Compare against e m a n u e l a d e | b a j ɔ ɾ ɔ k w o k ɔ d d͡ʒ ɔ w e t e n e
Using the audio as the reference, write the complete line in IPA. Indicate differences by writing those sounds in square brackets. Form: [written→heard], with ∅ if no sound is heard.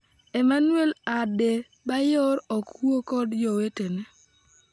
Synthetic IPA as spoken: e m a n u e l a d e | b a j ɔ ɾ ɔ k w o k ɔ d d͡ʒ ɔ w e t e n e

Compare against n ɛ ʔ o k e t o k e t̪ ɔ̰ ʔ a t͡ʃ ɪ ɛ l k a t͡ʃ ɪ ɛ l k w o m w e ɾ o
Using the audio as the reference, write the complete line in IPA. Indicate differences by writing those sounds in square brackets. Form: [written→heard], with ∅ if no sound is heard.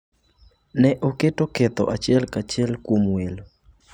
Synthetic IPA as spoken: n ɛ ʔ o k e t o k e t̪ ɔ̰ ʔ a t͡ʃ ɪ ɛ l k a t͡ʃ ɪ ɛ l k w o m w e [ɾ→l] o

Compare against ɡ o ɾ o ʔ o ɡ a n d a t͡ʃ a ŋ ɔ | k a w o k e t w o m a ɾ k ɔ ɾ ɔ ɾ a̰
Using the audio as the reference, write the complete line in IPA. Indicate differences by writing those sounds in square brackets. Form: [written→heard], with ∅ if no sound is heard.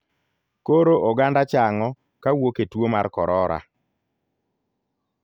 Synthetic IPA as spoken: [ɡ→k] o ɾ o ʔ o ɡ a n d a t͡ʃ a ŋ ɔ | k a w o k e t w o m a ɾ k ɔ ɾ ɔ ɾ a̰

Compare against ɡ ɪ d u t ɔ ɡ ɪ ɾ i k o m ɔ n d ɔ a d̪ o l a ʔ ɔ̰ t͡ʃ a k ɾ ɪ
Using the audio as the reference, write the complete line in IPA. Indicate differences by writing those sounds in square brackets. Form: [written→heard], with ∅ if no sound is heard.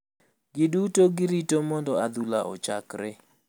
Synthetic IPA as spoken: ɡ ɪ d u t [ɔ→o] ɡ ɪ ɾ i [k→t] o m ɔ n d ɔ a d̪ [o→u] l a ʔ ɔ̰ t͡ʃ a k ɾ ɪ

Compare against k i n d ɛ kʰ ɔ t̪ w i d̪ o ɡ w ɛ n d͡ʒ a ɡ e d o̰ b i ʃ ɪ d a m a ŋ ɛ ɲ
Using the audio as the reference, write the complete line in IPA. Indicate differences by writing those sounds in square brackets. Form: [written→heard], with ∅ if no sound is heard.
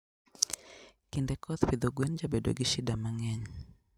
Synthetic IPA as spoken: k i n d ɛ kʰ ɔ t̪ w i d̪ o ɡ w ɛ n d͡ʒ a [ɡ→b] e d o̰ [b→ɡ] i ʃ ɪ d a m a ŋ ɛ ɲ

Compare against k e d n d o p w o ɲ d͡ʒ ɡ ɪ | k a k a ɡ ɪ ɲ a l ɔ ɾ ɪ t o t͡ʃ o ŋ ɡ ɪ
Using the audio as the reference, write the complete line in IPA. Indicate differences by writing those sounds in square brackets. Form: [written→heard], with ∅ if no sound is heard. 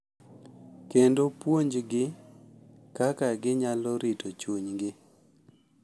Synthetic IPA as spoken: k e [d→∅] n d o p w o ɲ d͡ʒ ɡ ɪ | k a k a ɡ ɪ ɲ a l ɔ ɾ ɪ t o t͡ʃ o [ŋ→ɲ] ɡ ɪ

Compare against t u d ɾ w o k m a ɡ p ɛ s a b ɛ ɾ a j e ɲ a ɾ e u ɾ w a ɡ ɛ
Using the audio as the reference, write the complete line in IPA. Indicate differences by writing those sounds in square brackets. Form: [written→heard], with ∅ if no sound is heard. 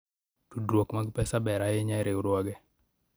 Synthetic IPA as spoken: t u d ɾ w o k m a ɡ p ɛ s a b ɛ ɾ a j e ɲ a ɾ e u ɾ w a ɡ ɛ

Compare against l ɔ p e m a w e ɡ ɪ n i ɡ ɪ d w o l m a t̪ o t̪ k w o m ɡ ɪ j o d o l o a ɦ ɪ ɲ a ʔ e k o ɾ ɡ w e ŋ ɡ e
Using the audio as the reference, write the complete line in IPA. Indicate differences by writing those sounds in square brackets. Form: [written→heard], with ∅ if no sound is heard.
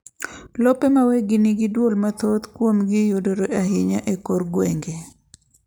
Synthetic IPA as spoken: l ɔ p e m a w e ɡ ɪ n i ɡ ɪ d w o l m a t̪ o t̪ k w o m ɡ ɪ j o d o [l→ɾ] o a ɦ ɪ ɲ a ʔ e k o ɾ ɡ w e ŋ ɡ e

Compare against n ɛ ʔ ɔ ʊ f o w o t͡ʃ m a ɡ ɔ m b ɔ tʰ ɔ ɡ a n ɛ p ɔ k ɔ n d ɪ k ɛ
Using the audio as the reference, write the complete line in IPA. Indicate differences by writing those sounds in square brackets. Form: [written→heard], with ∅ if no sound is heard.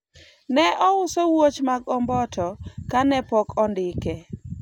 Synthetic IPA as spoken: n ɛ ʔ ɔ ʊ [f→s] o w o t͡ʃ m a ɡ ɔ m b ɔ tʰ ɔ [ɡ→k] a n ɛ p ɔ k ɔ n d ɪ k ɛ

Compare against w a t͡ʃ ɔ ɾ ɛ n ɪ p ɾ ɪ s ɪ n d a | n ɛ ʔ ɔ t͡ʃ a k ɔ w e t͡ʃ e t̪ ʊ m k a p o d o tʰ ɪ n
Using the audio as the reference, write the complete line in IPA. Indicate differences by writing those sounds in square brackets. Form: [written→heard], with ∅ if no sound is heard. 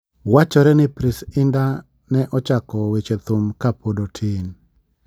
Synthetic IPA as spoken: w a t͡ʃ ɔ ɾ ɛ n ɪ p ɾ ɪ s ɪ n d a | n ɛ ʔ ɔ t͡ʃ a k ɔ w e t͡ʃ e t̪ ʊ m k a p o d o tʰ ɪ n

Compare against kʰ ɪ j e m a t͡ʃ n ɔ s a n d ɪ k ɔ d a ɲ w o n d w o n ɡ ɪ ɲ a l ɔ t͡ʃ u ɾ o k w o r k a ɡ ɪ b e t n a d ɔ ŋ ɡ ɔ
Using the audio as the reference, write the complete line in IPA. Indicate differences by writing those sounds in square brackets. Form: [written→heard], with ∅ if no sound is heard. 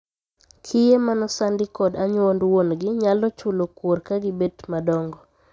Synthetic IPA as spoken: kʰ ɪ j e m a [t͡ʃ→∅] n ɔ s a n d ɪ k ɔ d a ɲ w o n d w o n ɡ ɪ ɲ a l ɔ t͡ʃ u [ɾ→l] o k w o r k a ɡ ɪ b e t [n→m] a d ɔ ŋ ɡ ɔ

